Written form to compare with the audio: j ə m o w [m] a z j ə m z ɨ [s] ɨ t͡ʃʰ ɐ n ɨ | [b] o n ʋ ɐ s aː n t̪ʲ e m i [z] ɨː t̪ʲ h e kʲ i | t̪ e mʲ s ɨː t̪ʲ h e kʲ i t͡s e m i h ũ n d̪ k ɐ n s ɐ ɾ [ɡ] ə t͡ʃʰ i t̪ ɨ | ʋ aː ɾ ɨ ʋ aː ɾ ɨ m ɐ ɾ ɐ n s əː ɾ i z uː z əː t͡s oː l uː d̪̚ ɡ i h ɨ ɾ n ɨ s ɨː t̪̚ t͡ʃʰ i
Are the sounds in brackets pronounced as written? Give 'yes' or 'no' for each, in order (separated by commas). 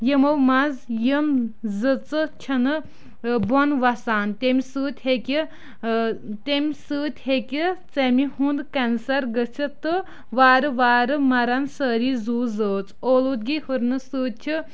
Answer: yes, no, yes, no, yes